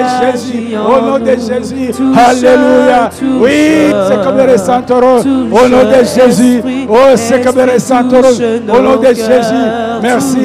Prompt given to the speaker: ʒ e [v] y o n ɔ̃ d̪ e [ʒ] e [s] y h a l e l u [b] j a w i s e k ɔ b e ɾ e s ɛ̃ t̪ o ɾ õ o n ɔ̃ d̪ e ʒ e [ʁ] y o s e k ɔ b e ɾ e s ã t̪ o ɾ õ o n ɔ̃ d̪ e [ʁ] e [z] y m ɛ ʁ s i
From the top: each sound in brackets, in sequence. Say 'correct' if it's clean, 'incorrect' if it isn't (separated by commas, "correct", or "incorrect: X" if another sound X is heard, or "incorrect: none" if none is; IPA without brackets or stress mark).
incorrect: z, correct, incorrect: z, incorrect: none, incorrect: z, incorrect: ʒ, correct